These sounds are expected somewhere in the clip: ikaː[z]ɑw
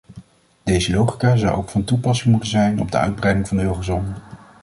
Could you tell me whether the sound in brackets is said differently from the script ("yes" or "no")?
no